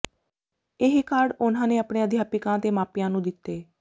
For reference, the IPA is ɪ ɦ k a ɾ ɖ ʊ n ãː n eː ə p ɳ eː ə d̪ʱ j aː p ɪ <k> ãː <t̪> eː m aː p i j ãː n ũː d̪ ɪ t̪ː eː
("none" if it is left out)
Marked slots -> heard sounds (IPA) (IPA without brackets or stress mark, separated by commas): k, t̪